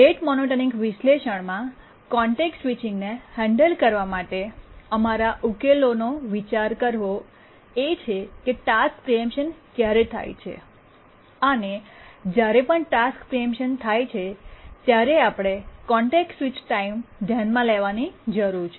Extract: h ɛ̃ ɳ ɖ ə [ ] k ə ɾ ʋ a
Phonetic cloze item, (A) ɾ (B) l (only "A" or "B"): B